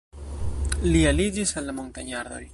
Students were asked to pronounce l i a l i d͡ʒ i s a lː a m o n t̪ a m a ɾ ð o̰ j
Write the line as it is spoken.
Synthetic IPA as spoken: l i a l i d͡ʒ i s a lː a m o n t̪ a ɲ a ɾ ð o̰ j